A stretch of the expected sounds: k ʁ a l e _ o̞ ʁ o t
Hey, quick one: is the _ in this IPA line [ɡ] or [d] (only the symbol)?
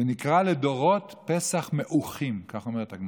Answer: d